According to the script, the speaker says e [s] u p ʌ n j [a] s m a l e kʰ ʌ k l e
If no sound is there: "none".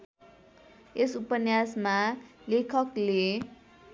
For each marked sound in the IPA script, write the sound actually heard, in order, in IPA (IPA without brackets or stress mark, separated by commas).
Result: s, a